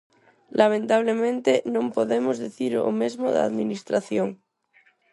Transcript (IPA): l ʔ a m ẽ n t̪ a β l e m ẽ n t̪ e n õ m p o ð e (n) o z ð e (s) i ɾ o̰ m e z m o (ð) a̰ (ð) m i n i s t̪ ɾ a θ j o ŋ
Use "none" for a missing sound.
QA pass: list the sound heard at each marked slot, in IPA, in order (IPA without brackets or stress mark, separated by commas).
m, θ, ð, ð